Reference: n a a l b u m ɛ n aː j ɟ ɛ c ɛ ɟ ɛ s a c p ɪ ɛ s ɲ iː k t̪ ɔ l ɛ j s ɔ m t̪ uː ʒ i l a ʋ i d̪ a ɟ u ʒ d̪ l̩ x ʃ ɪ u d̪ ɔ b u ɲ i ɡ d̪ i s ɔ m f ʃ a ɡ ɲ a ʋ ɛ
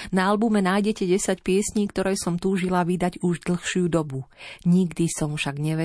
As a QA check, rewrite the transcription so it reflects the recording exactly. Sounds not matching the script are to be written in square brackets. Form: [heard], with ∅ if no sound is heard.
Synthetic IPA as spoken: n a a l b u m ɛ n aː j ɟ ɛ c ɛ ɟ ɛ s a c p ɪ ɛ s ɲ iː k t̪ ɔ [ɾ] ɛ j s ɔ m t̪ uː ʒ i l a ʋ i d̪ a ɟ u ʒ d̪ l̩ x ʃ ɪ u d̪ ɔ b u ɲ i ɡ d̪ i s ɔ m f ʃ a ɡ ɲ [ɛ] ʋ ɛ